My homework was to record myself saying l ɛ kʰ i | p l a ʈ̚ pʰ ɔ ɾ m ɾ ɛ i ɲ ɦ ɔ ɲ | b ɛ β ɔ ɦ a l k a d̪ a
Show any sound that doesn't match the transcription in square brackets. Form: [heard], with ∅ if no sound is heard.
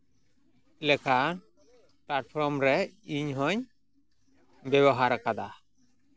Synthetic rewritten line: l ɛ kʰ [a] | p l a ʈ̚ pʰ ɔ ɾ m ɾ ɛ i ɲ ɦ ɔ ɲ | b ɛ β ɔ ɦ a [ɾ] k a d̪ a